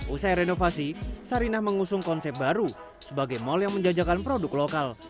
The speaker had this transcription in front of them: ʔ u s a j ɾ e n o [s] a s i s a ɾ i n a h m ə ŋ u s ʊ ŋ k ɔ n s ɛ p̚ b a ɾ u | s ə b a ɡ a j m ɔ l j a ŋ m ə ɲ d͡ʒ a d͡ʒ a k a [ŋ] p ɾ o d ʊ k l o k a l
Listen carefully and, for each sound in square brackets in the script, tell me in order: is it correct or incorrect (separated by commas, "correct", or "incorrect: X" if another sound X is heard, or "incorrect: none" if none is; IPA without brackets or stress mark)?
incorrect: f, incorrect: n